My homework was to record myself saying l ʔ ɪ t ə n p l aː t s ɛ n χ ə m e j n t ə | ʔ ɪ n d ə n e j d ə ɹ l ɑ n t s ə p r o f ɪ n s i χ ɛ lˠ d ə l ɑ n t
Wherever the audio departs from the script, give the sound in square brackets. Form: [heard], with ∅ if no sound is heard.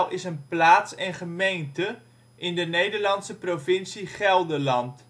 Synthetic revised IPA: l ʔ ɪ [s] ə n p l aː t s ɛ n χ ə m e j n t ə | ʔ ɪ n d ə n e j d ə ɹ l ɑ n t s ə p r o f ɪ n s i χ ɛ lˠ d ə l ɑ n t